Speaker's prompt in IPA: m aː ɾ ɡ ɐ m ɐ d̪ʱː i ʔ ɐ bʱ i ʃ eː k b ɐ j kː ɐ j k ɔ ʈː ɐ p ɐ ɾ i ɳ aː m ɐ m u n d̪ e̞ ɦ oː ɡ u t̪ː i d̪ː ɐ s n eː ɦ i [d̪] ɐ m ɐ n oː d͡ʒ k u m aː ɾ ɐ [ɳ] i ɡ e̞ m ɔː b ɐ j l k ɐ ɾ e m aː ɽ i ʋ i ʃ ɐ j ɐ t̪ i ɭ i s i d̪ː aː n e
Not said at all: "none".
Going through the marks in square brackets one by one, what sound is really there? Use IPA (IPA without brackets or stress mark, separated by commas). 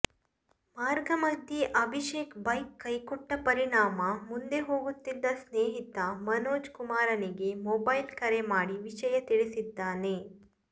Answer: t̪, n